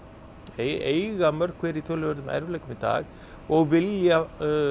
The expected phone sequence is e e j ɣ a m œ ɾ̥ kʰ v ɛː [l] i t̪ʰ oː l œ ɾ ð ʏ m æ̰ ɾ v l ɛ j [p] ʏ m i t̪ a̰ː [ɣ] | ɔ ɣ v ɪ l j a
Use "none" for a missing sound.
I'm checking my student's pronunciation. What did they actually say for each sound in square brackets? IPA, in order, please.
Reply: ɾ, k, ɣ

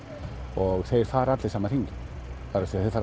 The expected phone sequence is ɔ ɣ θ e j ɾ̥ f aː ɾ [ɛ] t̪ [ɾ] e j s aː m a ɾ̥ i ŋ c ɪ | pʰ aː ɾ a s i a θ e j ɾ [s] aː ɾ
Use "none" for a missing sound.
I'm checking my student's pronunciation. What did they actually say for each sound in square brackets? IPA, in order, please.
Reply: a, l, f

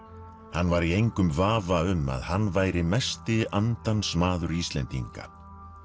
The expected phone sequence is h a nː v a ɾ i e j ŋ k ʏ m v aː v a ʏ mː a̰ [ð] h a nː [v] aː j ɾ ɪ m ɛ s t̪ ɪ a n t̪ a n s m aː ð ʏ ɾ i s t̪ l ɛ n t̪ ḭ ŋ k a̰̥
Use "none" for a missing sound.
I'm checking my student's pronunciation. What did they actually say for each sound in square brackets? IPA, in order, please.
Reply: ð, v

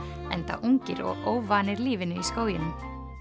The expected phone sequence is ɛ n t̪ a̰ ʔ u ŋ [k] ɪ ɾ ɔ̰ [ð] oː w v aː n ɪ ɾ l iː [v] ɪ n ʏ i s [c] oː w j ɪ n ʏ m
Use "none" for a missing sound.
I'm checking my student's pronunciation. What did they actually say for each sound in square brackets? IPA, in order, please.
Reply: c, ɣ, v, k

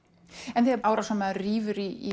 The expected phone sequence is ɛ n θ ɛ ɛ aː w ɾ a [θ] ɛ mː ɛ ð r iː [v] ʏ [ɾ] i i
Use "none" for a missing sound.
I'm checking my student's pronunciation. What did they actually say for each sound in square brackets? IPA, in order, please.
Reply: s, v, ɾ

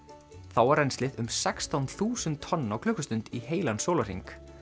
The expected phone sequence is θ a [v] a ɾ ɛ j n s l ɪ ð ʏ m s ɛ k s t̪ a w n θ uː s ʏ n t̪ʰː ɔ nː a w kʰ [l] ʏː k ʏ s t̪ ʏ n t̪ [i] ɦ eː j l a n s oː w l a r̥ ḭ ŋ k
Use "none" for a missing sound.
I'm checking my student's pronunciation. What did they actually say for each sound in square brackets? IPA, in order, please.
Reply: w, l, i

